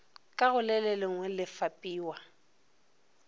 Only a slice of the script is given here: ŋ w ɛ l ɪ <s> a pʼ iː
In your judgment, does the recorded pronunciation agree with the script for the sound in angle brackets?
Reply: no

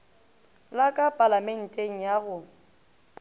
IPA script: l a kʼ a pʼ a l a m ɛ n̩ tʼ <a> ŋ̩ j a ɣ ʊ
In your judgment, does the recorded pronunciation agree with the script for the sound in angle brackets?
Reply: no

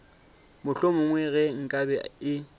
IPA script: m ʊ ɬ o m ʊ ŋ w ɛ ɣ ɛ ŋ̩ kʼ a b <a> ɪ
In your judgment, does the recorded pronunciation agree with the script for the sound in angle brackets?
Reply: no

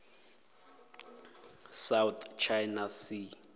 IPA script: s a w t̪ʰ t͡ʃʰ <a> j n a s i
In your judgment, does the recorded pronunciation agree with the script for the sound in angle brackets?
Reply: yes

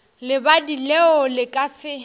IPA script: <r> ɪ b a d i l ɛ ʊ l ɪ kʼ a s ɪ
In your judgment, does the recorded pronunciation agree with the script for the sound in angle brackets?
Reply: no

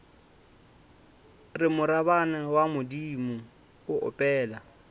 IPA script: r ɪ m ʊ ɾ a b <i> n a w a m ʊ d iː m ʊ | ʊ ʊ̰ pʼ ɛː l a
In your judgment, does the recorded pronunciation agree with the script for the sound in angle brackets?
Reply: no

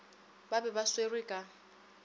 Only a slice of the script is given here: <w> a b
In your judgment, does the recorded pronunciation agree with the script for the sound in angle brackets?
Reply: no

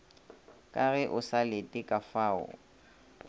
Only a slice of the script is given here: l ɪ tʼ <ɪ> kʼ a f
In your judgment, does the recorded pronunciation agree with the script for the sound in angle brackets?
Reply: yes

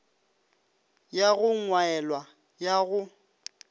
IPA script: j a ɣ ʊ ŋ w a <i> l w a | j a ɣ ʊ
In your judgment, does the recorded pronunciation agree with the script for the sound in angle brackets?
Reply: no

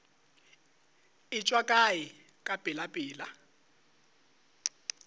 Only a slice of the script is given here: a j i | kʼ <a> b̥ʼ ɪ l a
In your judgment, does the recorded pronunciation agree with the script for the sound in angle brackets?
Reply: yes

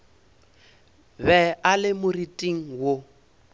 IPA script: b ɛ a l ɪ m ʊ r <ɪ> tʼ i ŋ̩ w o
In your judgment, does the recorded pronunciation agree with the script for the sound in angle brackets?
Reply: no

